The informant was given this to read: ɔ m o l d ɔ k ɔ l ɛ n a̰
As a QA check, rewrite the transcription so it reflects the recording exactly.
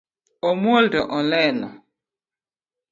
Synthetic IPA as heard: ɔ m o l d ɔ ʔ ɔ l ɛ n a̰